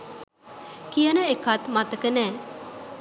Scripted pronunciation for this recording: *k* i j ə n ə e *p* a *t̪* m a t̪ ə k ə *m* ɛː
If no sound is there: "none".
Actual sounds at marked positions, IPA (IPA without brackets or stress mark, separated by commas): k, k, t̪, n